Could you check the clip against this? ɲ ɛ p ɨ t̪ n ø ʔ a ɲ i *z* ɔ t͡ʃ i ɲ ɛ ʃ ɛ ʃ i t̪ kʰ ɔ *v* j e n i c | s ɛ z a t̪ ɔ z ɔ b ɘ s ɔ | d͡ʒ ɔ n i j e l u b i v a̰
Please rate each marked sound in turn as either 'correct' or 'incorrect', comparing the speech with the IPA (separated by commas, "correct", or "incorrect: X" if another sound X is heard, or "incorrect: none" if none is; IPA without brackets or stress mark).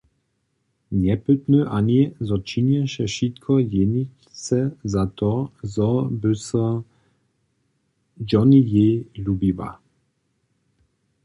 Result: correct, incorrect: none